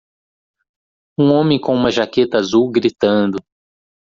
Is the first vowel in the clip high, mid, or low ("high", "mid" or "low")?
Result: high